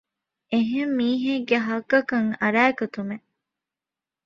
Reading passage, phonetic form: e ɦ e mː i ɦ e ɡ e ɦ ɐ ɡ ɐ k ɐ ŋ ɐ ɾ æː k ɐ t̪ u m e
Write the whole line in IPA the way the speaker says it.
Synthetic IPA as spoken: e ɦ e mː iː ɦ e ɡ e ɦ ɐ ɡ ɐ k ɐ ŋ ɐ ɾ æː k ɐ t̪ u m e